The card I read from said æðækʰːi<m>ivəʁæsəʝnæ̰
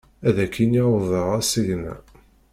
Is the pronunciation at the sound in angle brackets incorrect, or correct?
incorrect